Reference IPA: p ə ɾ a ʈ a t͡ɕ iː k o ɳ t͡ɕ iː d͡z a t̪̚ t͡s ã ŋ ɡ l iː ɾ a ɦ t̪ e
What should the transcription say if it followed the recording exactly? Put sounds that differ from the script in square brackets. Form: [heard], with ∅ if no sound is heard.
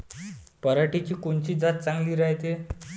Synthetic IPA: p ə ɾ a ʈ [i] t͡ɕ iː k o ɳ t͡ɕ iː d͡z a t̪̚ t͡s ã ŋ ɡ l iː ɾ a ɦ t̪ e